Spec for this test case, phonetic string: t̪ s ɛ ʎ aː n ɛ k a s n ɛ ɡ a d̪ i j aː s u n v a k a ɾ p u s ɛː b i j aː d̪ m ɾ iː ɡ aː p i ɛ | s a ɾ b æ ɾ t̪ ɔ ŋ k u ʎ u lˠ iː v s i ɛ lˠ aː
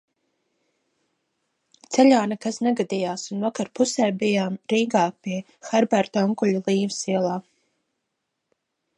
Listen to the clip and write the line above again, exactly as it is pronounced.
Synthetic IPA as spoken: t̪ s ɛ ʎ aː n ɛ k a s n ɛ ɡ a d̪ i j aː s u n v a k a ɾ p u s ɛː b i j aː m ɾ iː ɡ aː p i ɛ | x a ɾ b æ ɾ t̪ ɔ ŋ k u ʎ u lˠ iː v s i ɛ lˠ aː